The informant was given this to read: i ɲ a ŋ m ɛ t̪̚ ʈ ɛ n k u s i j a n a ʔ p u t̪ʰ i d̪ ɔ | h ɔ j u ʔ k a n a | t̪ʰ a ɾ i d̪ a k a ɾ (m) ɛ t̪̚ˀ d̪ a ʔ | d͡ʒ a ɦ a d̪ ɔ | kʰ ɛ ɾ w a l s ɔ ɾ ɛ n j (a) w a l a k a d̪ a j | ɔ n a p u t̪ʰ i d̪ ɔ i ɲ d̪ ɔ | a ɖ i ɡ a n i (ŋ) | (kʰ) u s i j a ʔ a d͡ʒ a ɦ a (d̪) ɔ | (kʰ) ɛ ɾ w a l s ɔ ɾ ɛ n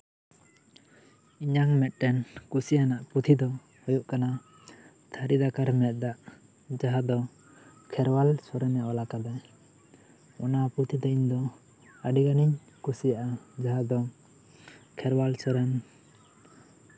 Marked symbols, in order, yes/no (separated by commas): yes, yes, no, no, yes, yes